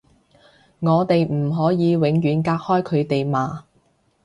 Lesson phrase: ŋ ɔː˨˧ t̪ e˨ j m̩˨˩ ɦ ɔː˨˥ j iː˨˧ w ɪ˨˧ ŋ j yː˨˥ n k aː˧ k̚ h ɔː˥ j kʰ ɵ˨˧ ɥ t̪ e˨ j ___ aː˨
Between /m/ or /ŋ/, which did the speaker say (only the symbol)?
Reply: m